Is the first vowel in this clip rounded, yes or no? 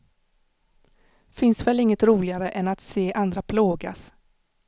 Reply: no